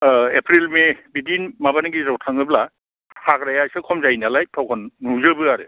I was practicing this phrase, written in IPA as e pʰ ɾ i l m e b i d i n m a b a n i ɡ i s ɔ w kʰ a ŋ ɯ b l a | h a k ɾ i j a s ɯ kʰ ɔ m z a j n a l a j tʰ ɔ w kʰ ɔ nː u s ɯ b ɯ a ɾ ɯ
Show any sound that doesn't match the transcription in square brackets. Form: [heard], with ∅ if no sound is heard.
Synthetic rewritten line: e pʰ ɾ i l m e b i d i n m a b a n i ɡ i [z] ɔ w [tʰ] a ŋ ɯ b l a | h a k ɾ [a] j a s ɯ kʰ ɔ m z a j n a l a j tʰ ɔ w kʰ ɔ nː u [z] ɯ b ɯ a ɾ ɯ